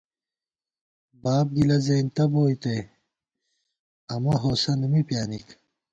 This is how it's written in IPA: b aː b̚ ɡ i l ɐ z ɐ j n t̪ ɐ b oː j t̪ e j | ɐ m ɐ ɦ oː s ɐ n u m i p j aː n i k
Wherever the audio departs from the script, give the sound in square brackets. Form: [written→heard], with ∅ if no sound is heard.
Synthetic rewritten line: b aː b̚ ɡ i l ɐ z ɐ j n t̪ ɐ b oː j t̪ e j | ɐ m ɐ ɦ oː s ɐ n u m i p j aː n i k